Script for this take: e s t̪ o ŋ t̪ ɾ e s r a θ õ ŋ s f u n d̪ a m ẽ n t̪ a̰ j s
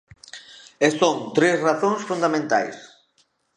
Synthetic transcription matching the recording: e s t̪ o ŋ t̪ ɾ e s r a θ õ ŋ s f u n d̪ a m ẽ n t̪ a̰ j s